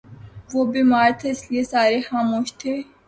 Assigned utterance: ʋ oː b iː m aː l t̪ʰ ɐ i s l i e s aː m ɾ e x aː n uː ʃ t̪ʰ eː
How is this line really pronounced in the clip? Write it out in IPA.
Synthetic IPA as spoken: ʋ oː b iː m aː ɾ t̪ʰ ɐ ɪ s l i e s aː ɾ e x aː m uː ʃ t̪ʰ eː